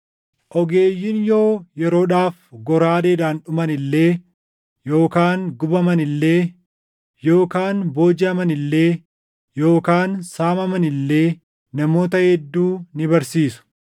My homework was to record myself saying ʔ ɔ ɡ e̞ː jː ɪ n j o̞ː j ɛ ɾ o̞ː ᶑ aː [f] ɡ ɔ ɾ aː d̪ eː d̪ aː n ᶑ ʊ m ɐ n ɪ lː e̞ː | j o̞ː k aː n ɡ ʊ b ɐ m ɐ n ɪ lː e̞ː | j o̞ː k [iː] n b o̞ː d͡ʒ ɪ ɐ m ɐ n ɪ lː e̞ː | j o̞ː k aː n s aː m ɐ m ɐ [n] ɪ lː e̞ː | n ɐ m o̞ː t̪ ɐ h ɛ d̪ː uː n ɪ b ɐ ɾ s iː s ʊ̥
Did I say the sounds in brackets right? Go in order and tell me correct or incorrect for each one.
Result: correct, incorrect: aː, correct

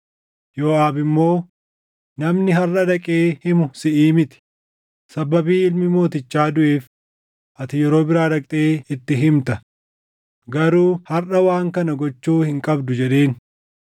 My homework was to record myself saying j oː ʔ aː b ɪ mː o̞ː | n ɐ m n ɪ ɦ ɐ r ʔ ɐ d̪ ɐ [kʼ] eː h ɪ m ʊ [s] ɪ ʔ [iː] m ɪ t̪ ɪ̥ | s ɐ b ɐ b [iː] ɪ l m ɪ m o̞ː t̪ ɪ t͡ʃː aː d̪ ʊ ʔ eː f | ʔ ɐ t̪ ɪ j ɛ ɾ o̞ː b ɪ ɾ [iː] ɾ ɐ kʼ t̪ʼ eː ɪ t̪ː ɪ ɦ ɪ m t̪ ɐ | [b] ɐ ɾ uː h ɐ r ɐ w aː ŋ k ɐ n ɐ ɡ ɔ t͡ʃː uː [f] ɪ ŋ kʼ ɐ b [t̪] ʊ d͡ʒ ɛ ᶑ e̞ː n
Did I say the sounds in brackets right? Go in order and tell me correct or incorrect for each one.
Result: correct, correct, correct, correct, incorrect: aː, incorrect: ɡ, incorrect: h, incorrect: d̪

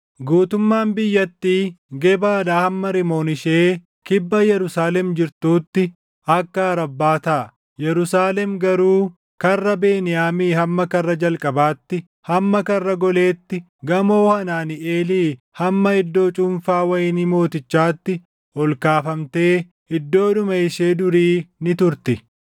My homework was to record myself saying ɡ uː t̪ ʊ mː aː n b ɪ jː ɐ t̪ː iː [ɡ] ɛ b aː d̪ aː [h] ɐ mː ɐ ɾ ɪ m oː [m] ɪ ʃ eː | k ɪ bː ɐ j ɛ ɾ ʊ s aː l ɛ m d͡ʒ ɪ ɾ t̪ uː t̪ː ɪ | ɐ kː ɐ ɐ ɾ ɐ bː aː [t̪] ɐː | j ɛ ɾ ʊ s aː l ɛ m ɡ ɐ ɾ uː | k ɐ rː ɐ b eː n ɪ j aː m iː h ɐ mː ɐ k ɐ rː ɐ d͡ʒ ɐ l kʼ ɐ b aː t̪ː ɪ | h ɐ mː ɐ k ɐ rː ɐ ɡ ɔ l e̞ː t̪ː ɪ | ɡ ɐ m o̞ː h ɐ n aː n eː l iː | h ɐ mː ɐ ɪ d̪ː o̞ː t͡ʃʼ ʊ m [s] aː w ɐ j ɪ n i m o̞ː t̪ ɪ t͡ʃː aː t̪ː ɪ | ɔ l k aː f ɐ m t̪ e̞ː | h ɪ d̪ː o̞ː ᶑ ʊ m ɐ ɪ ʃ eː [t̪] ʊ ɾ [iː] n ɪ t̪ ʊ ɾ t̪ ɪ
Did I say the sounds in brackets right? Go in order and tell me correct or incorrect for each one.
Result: correct, correct, incorrect: n, correct, incorrect: f, incorrect: d̪, correct

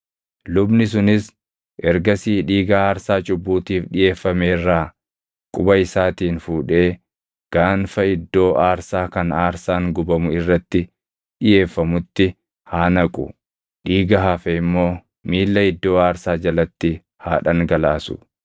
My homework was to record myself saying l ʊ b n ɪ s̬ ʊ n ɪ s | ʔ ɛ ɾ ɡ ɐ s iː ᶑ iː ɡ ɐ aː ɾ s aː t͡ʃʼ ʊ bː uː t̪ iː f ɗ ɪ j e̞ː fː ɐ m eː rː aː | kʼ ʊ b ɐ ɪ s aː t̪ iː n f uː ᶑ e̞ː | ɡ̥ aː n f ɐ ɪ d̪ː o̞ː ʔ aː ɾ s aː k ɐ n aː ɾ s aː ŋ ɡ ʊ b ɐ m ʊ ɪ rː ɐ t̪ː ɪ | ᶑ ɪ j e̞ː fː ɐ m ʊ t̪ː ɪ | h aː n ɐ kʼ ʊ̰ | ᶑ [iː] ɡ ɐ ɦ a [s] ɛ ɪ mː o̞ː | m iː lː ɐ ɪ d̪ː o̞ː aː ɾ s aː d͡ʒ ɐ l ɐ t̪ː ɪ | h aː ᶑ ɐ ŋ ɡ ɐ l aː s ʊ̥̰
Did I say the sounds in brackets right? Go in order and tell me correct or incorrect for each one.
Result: correct, incorrect: f

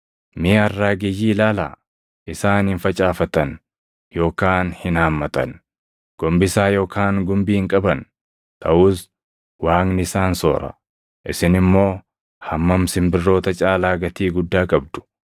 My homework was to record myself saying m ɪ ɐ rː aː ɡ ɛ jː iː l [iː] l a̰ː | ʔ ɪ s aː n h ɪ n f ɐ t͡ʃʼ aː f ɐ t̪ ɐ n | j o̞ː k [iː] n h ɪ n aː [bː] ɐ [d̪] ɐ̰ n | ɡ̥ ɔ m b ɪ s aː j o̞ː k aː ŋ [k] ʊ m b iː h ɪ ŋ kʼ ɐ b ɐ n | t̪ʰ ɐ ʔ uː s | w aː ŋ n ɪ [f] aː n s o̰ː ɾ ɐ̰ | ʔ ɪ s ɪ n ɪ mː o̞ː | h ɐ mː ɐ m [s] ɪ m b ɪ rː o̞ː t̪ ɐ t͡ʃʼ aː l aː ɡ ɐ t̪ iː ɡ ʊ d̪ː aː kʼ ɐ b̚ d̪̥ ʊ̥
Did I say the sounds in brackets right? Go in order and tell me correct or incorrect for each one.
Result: incorrect: aː, incorrect: aː, incorrect: mː, incorrect: t̪, incorrect: ɡ, incorrect: s, correct

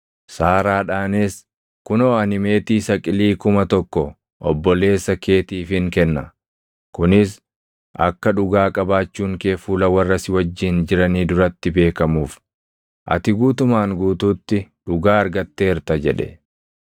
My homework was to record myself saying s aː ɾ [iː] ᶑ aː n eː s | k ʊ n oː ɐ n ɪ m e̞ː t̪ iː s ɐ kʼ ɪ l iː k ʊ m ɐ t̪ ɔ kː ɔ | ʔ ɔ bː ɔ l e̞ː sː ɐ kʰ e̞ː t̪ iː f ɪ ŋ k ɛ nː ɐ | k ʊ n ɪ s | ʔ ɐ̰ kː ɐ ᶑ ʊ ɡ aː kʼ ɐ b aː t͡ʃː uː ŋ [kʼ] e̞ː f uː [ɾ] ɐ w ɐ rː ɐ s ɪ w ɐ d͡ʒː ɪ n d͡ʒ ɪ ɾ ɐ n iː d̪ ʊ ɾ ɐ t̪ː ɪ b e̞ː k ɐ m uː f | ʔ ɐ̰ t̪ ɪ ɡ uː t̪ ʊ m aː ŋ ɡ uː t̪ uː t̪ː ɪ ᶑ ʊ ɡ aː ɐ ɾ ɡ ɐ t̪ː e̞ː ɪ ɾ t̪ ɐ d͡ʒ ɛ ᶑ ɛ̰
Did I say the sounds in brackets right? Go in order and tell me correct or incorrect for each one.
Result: incorrect: aː, incorrect: k, incorrect: l

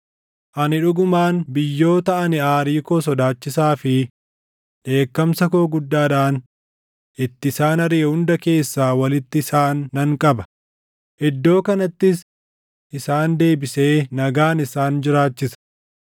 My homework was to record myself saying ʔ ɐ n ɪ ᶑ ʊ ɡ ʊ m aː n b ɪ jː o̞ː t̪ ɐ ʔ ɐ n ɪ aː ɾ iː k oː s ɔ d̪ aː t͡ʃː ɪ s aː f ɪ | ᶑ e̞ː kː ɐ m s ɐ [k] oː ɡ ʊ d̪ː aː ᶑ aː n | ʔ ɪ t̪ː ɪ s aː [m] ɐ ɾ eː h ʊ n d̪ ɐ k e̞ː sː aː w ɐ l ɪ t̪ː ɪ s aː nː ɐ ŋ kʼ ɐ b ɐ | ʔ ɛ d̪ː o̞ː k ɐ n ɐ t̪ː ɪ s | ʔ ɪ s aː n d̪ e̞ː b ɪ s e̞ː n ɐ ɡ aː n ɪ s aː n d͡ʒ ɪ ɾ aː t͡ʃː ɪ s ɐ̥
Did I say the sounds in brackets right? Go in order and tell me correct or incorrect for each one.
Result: correct, incorrect: n

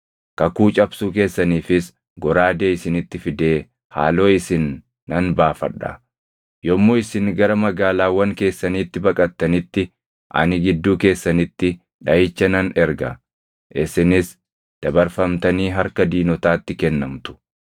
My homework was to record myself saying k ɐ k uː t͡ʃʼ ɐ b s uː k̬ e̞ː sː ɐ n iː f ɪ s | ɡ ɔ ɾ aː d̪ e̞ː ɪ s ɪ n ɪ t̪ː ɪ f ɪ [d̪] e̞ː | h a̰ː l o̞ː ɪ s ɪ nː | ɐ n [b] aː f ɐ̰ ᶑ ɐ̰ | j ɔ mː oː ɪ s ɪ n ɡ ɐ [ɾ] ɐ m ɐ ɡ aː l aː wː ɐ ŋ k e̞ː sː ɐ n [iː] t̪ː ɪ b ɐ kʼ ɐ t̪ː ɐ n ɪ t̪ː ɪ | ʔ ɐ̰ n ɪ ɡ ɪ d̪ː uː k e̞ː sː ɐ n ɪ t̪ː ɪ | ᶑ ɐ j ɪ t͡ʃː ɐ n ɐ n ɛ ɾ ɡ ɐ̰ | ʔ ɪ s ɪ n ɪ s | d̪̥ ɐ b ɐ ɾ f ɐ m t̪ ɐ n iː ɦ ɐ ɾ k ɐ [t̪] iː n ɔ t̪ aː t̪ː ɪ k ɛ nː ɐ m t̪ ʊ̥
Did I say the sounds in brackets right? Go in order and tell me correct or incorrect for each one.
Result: correct, correct, correct, correct, incorrect: d̪

